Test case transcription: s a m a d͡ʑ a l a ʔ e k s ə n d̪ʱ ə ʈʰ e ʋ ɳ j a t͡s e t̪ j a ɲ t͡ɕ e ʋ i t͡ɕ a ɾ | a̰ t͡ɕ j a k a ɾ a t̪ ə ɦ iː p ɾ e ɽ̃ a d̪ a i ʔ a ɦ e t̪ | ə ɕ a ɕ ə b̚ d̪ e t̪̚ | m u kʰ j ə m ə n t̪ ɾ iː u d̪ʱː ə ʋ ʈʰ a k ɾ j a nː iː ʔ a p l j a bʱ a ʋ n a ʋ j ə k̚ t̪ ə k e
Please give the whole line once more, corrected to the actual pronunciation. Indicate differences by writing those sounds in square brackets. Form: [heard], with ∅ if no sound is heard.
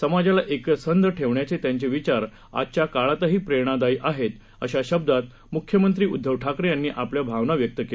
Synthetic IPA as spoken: s [ə] m a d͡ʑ a l a ʔ e k s ə n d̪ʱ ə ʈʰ e ʋ ɳ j a t͡s e t̪ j a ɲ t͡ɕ e ʋ i t͡ɕ a ɾ | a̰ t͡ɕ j a k a [ɭ] a t̪ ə ɦ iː p ɾ e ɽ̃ a d̪ a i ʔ a ɦ e t̪ | ə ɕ a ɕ ə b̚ d̪ [a] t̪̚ | m u kʰ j ə m ə n t̪ ɾ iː u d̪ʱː ə ʋ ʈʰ a k ɾ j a nː iː ʔ a p l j a bʱ a ʋ n a ʋ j ə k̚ t̪ ə k e